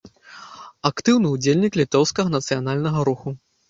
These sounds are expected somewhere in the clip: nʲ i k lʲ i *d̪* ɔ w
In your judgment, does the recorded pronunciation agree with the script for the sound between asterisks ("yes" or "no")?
no